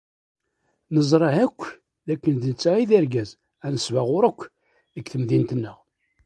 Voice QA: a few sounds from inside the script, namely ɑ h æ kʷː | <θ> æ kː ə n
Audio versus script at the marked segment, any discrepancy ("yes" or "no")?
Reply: yes